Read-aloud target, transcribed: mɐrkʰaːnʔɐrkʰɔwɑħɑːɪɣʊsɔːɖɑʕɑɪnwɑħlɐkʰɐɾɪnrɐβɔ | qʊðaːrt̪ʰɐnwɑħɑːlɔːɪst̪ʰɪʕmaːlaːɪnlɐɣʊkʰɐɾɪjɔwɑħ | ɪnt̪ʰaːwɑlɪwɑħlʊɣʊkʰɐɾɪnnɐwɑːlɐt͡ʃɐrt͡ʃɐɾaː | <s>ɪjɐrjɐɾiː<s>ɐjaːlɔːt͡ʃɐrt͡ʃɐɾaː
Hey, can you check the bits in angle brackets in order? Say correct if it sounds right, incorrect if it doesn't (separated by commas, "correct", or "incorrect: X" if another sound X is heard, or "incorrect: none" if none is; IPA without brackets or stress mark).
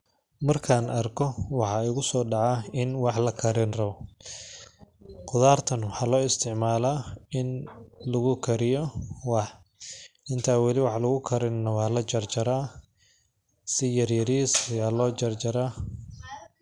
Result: correct, correct